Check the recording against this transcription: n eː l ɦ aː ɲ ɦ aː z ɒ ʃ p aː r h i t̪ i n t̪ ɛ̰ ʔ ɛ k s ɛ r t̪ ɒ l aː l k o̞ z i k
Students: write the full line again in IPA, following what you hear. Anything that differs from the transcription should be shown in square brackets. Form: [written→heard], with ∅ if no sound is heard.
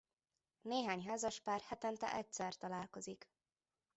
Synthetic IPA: n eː [l→∅] ɦ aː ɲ ɦ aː z ɒ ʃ p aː r h [i→ɛ] t̪ [i→ɛ] n t̪ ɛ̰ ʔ ɛ [k→c] s ɛ r t̪ ɒ l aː l k o̞ z i k

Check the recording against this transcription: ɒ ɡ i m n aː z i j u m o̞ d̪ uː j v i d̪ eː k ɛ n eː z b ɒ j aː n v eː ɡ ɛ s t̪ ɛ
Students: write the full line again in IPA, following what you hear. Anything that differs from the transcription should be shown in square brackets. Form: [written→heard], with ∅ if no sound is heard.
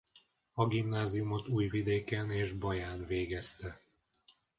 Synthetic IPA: ɒ ɡ i m n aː z i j u m o̞ [d̪→t̪] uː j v i d̪ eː k ɛ n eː [z→ʒ] b ɒ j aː n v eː ɡ ɛ s t̪ ɛ

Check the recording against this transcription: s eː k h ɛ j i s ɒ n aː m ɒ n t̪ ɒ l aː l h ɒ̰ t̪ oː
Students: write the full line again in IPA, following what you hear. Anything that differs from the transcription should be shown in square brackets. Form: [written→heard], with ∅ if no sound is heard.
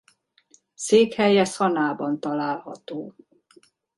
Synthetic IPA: s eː k h ɛ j [i→ɛ] s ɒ n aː [m→b] ɒ n t̪ ɒ l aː l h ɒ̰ t̪ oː

